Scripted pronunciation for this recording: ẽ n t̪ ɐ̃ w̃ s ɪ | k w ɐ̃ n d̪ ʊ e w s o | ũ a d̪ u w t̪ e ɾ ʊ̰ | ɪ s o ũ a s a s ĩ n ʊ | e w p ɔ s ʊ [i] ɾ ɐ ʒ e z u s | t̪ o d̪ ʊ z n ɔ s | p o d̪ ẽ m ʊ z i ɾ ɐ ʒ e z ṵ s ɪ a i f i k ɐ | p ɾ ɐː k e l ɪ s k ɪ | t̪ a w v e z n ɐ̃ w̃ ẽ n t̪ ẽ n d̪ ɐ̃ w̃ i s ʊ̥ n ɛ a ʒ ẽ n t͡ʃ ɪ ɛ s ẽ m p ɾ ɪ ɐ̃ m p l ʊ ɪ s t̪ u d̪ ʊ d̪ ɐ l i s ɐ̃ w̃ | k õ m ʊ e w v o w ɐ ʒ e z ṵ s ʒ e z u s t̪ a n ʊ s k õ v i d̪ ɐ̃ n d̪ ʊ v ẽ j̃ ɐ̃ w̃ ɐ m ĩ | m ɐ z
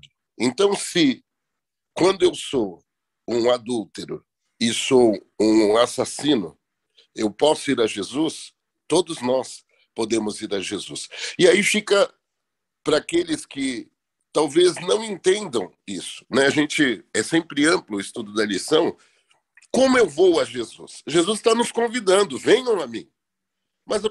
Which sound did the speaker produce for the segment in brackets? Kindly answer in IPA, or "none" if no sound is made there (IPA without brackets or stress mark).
i